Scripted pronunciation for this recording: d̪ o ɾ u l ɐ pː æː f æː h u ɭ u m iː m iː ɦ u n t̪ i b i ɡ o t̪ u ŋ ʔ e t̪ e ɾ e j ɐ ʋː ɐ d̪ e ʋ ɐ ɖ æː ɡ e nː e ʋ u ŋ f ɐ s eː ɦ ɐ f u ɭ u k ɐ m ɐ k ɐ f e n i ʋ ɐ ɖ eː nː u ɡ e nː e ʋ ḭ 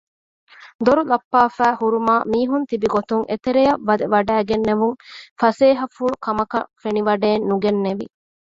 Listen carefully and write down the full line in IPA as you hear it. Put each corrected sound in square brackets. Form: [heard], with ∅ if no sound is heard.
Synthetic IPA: d̪ o ɾ u l ɐ pː [aː] f æː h u [ɾ] u m [aː] m iː ɦ u n t̪ i b i ɡ o t̪ u ŋ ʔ e t̪ e ɾ e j ɐ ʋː ɐ d̪ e ʋ ɐ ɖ æː ɡ e nː e ʋ u ŋ f ɐ s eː ɦ ɐ f u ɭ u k ɐ m ɐ k ɐ f e n i ʋ ɐ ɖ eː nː u ɡ e nː e ʋ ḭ